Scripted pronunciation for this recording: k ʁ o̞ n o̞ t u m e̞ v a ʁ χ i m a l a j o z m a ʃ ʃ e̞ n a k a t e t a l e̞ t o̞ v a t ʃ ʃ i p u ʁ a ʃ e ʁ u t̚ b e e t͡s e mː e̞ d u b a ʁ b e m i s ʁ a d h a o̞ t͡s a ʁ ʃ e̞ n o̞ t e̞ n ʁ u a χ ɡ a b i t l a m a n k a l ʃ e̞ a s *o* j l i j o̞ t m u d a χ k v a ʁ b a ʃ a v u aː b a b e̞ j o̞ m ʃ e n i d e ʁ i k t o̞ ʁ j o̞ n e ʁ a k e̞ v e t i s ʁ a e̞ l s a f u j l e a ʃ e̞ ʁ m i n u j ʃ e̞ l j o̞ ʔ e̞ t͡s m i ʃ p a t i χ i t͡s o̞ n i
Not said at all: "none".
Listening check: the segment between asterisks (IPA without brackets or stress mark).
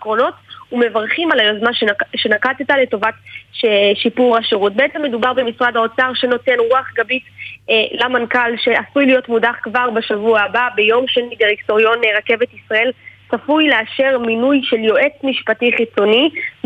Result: u